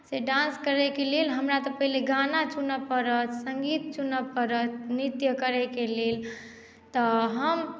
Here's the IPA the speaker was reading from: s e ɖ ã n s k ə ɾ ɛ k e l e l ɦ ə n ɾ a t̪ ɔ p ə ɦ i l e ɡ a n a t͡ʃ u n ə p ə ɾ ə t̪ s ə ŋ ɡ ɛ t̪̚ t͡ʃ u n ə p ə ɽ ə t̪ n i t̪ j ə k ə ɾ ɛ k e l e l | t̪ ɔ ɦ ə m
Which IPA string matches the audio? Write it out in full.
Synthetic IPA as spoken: s e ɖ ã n s k ə ɾ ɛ k e l e l ɦ ə m ɾ a t̪ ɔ p ə ɦ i l e ɡ a n a t͡ʃ u n ə p ə ɾ ə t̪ s ə ŋ ɡ i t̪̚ t͡ʃ u n ə p ə ɾ ə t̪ n i t̪ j ə k ə ɾ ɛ k e l e l | t̪ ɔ ɦ ə m

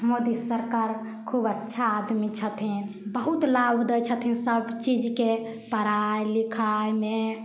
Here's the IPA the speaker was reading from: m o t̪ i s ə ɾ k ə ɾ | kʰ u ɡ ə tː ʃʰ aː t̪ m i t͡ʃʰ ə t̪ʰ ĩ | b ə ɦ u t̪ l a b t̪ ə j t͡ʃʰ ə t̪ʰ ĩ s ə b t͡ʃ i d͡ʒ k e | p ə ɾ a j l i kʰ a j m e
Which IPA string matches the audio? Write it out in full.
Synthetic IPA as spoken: m o d̪ i s ə ɾ k a ɾ | kʰ u b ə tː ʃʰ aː d̪ m i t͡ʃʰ ə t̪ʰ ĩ | b ə ɦ u t̪ l a b d̪ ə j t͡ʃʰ ə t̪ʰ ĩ s ə b t͡ʃ i d͡ʒ k e | p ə ɾ a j l i kʰ a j m e

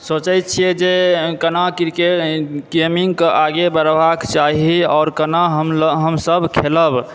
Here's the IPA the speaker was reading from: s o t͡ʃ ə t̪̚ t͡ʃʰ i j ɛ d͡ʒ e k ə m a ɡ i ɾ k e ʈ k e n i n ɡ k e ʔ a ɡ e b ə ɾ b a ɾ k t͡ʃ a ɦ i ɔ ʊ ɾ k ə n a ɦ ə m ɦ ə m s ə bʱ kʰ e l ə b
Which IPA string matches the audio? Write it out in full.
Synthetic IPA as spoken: s o t͡ʃ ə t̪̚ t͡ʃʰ i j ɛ d͡ʒ e k ə n a k i ɾ k e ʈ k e m i ŋ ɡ k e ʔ a ɡ e b ə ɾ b a k t͡ʃ a ɦ i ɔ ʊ ɾ k ə n a ɦ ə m ɦ ə m s ə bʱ kʰ e l ə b

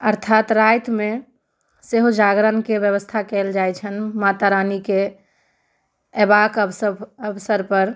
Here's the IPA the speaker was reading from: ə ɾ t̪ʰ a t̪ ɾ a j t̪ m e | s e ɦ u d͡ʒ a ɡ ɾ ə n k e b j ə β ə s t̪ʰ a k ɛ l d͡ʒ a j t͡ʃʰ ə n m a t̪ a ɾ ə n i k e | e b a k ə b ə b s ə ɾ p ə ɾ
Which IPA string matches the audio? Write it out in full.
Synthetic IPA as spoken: ə ɾ t̪ʰ a t̪ ɾ a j t̪ m e | s e ɦ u d͡ʒ a ɡ ɾ ə n k e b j ə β ə s t̪ʰ a k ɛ l d͡ʒ a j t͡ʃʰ ə n m a t̪ a ɾ a n i k e | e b a k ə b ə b s ə ɾ p ə ɾ

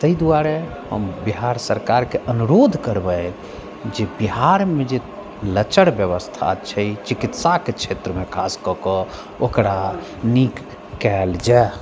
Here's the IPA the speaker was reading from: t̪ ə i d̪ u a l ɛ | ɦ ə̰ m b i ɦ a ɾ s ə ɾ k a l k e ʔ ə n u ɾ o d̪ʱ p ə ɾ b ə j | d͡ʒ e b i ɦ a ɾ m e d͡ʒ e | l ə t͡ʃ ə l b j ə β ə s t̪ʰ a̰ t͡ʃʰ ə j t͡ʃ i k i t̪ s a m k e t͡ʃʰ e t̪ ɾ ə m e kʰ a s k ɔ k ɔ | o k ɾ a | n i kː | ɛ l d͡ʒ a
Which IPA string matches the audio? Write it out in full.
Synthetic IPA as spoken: t̪ ə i d̪ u a ɾ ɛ | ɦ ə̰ m b i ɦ a ɾ s ə ɾ k a ɾ k e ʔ ə n u ɾ o d̪ʱ k ə ɾ b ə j | d͡ʒ e b i ɦ a ɾ m e d͡ʒ e | l ə t͡ʃ ə ɽ b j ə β ə s t̪ʰ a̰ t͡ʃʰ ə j t͡ʃ i k i t̪ s a k e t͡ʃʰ e t̪ ɾ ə m e kʰ a s k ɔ k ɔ | o k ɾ a | n i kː | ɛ l d͡ʒ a

